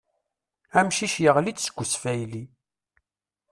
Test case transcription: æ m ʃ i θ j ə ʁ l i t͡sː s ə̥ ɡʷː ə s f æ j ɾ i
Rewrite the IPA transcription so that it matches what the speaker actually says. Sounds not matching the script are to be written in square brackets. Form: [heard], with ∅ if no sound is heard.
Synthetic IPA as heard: æ m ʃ i [ʃ] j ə ʁ l i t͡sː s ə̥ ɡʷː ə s f æ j [l] i